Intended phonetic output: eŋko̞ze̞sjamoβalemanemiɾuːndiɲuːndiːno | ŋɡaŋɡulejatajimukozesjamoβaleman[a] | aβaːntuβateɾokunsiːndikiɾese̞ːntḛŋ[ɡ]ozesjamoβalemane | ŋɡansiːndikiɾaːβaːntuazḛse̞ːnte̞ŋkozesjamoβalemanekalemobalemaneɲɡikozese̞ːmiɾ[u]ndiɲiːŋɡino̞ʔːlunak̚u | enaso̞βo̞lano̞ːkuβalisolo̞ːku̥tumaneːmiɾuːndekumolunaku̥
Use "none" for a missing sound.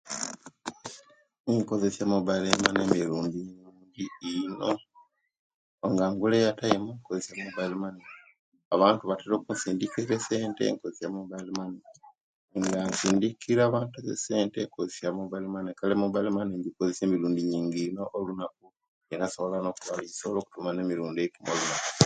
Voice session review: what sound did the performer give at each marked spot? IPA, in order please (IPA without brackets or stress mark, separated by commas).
e, k, uː